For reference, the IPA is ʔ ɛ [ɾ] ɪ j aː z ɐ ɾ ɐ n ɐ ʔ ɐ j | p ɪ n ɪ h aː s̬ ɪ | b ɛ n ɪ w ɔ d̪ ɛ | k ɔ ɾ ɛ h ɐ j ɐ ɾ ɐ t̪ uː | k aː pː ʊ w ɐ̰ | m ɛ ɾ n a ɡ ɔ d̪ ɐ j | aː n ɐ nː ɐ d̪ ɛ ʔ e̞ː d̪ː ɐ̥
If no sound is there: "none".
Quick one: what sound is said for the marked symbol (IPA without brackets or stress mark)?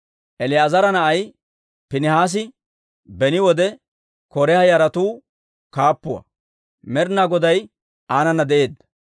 l